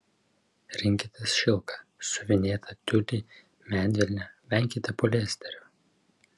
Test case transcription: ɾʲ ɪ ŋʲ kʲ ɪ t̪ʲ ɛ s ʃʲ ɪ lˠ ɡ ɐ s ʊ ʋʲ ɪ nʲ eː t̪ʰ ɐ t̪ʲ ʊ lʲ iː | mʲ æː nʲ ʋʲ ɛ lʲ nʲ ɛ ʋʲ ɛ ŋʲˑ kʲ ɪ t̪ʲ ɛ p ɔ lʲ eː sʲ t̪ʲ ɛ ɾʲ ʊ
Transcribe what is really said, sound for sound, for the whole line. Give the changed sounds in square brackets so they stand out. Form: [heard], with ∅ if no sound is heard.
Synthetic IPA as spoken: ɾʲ ɪ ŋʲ kʲ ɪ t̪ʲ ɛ s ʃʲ ɪ lˠ [k] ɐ s ʊ ʋʲ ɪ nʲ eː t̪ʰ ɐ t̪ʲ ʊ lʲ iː | mʲ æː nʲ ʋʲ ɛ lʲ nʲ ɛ ʋʲ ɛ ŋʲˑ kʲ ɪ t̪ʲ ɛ p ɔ lʲ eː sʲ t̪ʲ ɛ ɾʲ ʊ